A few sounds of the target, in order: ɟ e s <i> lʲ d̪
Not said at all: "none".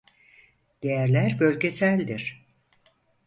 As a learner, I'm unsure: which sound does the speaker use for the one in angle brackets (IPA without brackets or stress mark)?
æ